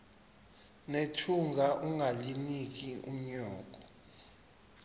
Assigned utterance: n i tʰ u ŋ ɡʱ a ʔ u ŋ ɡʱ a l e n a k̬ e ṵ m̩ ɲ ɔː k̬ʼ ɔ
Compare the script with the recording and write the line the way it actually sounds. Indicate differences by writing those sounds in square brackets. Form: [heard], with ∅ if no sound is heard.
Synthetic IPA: n [e] tʰ u ŋ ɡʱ a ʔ u ŋ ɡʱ a l [i] n [i] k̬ [i] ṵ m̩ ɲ ɔː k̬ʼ ɔ